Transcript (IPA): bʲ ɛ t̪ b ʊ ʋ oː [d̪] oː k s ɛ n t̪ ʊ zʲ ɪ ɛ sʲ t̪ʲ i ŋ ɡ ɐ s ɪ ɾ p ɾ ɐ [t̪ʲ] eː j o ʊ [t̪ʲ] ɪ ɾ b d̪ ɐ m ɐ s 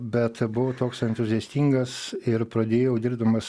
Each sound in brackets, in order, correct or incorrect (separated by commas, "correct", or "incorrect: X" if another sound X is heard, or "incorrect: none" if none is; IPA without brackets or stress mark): incorrect: t̪, incorrect: d̪ʲ, incorrect: d̪ʲ